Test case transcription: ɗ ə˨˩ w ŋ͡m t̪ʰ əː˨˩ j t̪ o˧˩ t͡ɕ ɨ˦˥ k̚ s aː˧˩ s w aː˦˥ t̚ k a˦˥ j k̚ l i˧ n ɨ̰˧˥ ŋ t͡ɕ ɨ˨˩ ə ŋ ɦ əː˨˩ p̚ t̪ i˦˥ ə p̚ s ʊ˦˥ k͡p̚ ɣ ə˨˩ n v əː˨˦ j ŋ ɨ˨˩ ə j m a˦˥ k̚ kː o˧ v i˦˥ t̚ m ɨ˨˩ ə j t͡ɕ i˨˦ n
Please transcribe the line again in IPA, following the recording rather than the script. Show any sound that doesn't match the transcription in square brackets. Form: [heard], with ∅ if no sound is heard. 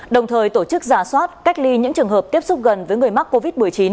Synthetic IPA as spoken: ɗ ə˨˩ w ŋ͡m t̪ʰ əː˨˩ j t̪ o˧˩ t͡ɕ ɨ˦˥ k̚ [z] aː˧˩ s w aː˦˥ t̚ k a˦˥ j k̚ l i˧ [ɲ] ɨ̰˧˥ ŋ t͡ɕ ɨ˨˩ ə ŋ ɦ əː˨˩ p̚ t̪ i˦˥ ə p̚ s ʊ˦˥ k͡p̚ ɣ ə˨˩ n v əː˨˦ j ŋ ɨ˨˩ ə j m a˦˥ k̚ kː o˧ v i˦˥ t̚ m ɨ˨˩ ə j t͡ɕ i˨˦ n